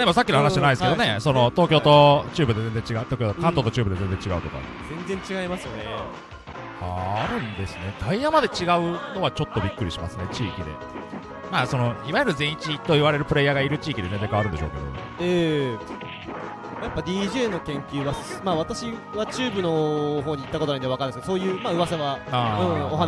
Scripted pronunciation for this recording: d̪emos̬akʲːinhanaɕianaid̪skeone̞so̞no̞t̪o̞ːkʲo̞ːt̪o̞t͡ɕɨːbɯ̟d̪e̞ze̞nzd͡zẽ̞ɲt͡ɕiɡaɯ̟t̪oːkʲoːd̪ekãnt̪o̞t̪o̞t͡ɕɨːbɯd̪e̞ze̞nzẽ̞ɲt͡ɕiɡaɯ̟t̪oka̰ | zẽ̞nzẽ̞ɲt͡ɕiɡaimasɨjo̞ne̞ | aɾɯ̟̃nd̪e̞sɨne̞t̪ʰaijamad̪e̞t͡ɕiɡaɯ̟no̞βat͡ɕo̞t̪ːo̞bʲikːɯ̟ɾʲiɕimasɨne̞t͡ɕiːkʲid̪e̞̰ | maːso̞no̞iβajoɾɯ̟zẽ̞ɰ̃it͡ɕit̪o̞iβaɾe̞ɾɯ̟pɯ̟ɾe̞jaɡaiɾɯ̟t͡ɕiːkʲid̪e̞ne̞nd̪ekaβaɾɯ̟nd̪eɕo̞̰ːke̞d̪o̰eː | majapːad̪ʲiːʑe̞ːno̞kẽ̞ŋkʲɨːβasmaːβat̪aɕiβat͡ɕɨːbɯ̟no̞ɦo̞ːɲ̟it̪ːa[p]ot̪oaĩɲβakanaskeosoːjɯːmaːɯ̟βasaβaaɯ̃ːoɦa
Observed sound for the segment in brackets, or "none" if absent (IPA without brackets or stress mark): k